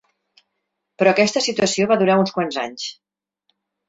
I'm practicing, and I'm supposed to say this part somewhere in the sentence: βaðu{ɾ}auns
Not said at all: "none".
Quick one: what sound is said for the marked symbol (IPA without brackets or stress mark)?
ɾ